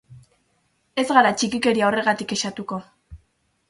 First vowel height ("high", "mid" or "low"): mid